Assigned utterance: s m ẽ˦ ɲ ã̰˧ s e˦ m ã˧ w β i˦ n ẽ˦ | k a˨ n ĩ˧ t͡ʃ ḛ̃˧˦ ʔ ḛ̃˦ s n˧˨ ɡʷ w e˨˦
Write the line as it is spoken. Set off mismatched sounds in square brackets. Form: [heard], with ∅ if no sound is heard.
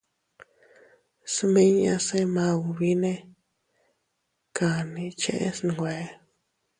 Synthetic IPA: s m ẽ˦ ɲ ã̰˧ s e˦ m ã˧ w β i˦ n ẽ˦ | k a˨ n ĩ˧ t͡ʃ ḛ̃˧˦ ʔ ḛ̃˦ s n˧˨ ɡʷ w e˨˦